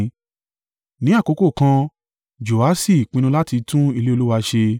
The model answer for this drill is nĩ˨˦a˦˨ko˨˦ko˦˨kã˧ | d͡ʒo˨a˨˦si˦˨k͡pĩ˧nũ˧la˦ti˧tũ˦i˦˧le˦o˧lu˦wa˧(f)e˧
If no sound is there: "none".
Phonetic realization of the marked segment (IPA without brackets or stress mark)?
ʃ